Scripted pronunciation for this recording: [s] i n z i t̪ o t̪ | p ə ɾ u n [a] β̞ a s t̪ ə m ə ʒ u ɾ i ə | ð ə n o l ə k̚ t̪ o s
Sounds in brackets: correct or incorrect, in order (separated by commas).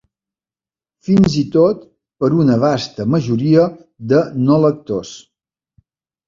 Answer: incorrect, incorrect